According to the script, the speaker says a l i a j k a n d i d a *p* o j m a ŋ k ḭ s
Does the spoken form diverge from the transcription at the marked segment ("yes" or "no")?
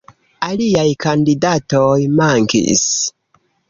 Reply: yes